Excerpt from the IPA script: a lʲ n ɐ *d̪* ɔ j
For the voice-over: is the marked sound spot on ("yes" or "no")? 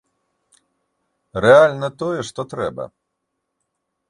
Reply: no